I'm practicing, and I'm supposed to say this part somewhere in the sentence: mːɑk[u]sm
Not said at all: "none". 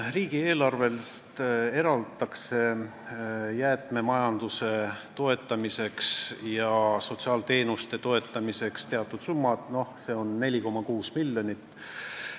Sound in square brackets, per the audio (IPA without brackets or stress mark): uː